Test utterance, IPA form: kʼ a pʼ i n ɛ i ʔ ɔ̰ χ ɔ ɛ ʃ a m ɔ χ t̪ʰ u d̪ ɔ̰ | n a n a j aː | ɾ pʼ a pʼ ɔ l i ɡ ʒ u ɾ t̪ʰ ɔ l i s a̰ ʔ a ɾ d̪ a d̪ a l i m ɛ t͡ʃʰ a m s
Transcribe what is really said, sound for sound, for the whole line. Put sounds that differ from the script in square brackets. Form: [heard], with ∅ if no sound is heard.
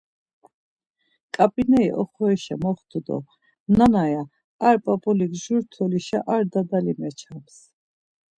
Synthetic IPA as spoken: kʼ a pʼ i n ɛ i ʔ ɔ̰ χ ɔ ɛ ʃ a m ɔ χ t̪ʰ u d̪ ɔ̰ | n a n a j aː | ɾ pʼ a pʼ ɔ l i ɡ ʒ u ɾ t̪ʰ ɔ l i [ʃ] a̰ ʔ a ɾ d̪ a d̪ a l i m ɛ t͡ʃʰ a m s